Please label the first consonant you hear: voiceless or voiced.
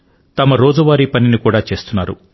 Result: voiceless